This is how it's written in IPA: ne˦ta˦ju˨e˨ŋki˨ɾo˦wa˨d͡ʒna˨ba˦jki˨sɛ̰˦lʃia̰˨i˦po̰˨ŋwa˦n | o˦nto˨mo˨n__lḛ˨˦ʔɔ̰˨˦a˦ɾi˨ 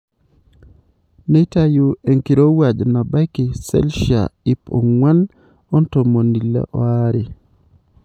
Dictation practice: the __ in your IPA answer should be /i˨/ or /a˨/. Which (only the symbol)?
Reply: i˨